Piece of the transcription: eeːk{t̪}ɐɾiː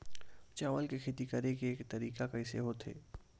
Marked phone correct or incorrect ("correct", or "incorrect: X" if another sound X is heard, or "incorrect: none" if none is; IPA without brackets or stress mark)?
correct